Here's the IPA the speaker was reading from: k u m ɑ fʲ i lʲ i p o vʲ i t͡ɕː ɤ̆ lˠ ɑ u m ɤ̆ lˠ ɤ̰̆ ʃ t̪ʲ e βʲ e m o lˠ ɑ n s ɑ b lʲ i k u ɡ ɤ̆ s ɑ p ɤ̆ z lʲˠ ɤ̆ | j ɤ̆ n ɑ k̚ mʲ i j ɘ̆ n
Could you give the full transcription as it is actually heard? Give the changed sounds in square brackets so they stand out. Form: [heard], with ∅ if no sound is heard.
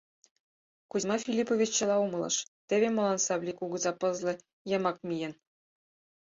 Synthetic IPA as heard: k u m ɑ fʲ i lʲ i p o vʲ i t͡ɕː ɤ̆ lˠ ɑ u m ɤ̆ lˠ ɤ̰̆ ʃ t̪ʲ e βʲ e m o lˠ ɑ n s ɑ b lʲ i k u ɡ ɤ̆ [z] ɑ p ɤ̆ z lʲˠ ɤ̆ | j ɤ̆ [m] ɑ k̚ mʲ i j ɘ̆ n

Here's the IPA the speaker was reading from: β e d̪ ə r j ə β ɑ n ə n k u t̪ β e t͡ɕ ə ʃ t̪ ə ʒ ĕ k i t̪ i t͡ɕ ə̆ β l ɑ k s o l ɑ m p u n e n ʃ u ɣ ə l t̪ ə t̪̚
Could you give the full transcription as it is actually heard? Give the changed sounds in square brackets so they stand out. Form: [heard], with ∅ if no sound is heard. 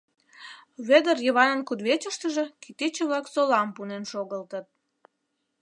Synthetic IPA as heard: β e d̪ ə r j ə β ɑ n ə n k u [d̪] β e t͡ɕ ə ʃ t̪ ə ʒ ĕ k i t̪ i t͡ɕ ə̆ β l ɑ k s o l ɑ m p u n e n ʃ [o] ɣ ə l t̪ ə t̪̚

